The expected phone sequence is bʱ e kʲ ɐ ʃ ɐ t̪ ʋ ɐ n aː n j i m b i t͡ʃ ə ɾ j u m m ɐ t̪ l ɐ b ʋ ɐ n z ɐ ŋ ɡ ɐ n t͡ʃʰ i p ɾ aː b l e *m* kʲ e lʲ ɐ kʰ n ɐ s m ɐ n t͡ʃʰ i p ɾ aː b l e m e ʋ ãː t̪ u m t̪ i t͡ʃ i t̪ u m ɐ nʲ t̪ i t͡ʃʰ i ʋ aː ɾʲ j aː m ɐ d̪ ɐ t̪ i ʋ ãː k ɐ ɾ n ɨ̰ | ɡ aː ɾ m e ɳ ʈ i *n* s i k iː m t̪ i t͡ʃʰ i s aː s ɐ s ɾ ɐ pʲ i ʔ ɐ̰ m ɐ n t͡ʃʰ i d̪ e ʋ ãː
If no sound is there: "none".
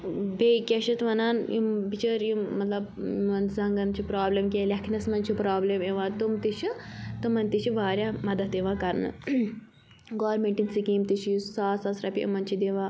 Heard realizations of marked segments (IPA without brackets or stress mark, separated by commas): m, n